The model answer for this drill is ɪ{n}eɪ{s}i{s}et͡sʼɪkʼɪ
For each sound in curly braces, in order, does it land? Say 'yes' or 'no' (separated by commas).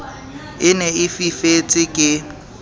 yes, no, no